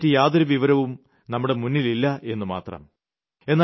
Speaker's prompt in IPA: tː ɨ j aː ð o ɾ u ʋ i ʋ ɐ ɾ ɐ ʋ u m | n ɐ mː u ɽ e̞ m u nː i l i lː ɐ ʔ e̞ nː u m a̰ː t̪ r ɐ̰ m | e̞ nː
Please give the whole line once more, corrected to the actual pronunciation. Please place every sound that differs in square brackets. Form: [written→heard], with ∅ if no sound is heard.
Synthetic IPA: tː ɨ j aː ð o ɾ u ʋ i ʋ ɐ ɾ ɐ ʋ u m | n ɐ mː u ɽ e̞ m u nː i l i lː ɐ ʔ e̞ nː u m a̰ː t̪ r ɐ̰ m | e̞ nː

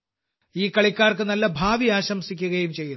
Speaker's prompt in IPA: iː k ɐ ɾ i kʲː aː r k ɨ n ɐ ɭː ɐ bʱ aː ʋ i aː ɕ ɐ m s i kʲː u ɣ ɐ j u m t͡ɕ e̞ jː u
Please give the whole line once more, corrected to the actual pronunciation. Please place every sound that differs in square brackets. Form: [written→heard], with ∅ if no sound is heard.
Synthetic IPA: iː k ɐ [ɾ→ɭ] i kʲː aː r k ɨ n ɐ [ɭː→lː] ɐ bʱ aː ʋ i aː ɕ ɐ m s i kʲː u ɣ ɐ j u m t͡ɕ e̞ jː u

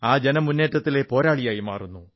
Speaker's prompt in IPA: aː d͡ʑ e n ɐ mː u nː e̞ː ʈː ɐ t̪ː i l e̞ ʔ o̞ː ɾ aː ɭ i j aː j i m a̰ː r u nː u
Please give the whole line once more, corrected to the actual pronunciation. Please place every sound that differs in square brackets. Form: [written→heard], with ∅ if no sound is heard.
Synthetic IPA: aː d͡ʑ e n ɐ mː u nː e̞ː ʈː ɐ t̪ː i l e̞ [ʔ→p] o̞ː ɾ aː ɭ i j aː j i m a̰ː r u nː u

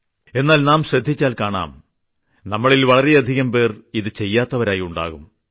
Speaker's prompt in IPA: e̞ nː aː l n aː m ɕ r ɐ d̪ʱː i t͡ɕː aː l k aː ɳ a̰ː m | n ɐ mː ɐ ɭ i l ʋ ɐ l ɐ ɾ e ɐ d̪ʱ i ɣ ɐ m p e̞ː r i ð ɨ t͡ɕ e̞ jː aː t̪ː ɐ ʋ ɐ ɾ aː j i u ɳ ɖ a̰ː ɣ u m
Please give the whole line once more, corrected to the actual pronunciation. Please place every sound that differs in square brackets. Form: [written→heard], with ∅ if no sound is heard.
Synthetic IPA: e̞ nː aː l n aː m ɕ r ɐ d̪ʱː i t͡ɕː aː l k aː ɳ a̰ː m | n ɐ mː ɐ ɭ i l ʋ ɐ [l→ɭ] ɐ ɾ e ɐ d̪ʱ i ɣ ɐ m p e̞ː r i ð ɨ t͡ɕ e̞ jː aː t̪ː ɐ ʋ ɐ ɾ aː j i u ɳ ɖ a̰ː ɣ u m

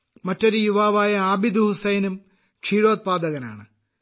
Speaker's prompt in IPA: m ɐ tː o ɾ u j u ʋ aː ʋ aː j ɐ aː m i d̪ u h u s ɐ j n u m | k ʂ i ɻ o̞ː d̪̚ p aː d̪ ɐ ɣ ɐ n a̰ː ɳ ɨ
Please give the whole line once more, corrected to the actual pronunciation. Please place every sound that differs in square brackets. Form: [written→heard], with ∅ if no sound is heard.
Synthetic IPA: m ɐ tː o ɾ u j u ʋ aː ʋ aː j ɐ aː [m→b] i d̪ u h u s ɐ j n u m | k ʂ [i→iː] ɻ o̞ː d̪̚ p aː d̪ ɐ ɣ ɐ n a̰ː ɳ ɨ

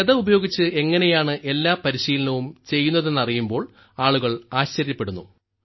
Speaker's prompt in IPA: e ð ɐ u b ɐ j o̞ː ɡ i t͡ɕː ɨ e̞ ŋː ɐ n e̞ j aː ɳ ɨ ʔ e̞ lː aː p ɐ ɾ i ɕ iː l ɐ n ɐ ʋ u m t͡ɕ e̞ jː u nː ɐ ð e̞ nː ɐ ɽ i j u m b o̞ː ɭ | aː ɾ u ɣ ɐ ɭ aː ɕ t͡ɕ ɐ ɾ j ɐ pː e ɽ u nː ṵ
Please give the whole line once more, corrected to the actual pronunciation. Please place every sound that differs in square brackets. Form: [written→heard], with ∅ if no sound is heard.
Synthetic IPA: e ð ɐ u b ɐ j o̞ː ɡ i t͡ɕː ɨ e̞ ŋː ɐ n e̞ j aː ɳ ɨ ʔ e̞ lː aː p ɐ ɾ i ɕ iː l ɐ n ɐ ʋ u m t͡ɕ e̞ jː u nː ɐ ð e̞ nː ɐ [ɽ→r] i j u m b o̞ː ɭ | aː [ɾ→ɭ] u ɣ ɐ ɭ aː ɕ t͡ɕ ɐ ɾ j ɐ pː e ɽ u nː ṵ

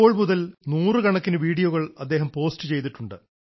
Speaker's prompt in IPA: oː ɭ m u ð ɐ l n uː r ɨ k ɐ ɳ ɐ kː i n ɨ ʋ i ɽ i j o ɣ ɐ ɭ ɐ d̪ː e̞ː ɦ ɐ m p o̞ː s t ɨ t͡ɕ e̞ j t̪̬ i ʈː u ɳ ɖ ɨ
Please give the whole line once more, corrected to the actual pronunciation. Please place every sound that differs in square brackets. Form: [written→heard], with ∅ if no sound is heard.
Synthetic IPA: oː ɭ m u ð ɐ l n uː r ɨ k ɐ ɳ ɐ kː i n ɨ ʋ [i→iː] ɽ i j o ɣ ɐ ɭ ɐ d̪ː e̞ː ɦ ɐ m p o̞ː s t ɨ t͡ɕ e̞ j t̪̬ i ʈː u ɳ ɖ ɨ

